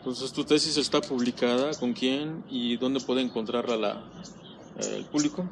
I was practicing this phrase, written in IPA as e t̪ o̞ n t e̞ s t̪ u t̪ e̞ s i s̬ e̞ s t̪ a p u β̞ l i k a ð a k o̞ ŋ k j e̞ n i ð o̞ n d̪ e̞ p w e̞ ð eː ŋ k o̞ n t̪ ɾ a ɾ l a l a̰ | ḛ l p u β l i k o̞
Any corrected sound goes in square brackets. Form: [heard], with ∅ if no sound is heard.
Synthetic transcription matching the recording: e t̪ o̞ n [s] e̞ s t̪ u t̪ e̞ s i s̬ e̞ s t̪ a p u β̞ l i k a ð a k o̞ ŋ k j e̞ n i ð o̞ n d̪ e̞ p w e̞ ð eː ŋ k o̞ n t̪ ɾ a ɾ l a l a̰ | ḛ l p u β l i k o̞